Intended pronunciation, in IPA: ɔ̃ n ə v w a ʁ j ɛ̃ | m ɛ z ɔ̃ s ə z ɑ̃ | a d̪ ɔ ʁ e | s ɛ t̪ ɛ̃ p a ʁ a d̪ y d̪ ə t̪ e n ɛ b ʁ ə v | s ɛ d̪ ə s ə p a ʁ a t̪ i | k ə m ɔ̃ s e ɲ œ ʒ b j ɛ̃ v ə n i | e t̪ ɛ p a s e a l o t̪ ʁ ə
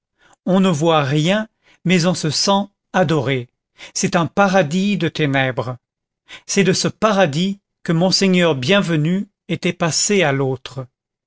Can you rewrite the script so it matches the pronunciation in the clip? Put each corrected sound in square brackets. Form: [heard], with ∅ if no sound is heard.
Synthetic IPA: ɔ̃ n ə v w a ʁ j ɛ̃ | m ɛ z ɔ̃ s ə [s] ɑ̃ | a d̪ ɔ ʁ e | s ɛ t̪ ɛ̃ p a ʁ a d̪ [i] d̪ ə t̪ e n ɛ b ʁ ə [∅] | s ɛ d̪ ə s ə p a ʁ a [d̪] i | k ə m ɔ̃ s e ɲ œ [ʁ] b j ɛ̃ v ə n [y] | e t̪ ɛ p a s e a l o t̪ [χ] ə